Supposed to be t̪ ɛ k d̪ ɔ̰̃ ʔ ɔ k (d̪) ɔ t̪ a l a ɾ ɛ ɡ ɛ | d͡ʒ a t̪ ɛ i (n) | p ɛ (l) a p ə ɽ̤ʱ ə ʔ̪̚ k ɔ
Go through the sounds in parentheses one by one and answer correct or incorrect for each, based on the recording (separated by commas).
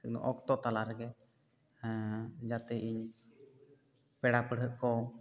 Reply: incorrect, incorrect, incorrect